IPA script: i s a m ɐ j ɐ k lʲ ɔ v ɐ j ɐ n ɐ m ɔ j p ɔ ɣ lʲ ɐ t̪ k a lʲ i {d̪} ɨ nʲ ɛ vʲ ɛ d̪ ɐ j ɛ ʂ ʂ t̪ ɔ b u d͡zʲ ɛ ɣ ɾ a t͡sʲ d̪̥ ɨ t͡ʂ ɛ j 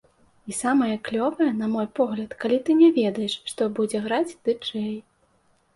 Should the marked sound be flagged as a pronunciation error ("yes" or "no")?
yes